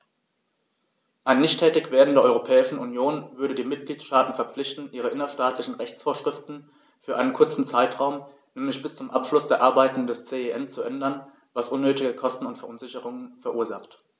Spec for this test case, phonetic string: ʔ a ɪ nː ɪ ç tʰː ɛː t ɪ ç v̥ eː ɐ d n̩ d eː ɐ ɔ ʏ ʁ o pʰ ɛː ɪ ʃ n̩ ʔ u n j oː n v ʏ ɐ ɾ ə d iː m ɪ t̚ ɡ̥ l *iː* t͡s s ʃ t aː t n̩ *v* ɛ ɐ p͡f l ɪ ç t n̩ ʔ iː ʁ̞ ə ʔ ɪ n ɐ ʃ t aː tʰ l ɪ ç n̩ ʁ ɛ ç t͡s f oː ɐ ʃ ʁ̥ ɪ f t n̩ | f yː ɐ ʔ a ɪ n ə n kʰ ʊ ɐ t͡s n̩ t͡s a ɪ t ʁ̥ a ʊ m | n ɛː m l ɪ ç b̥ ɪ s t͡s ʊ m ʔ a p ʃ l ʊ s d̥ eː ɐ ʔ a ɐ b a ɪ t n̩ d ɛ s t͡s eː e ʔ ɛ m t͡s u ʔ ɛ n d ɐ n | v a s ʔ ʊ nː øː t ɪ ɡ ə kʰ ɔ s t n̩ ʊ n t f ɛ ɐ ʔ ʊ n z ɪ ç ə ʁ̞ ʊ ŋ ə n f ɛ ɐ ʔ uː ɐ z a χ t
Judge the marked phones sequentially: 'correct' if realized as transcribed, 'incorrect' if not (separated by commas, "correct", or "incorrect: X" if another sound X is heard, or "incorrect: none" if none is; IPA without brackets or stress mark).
correct, incorrect: f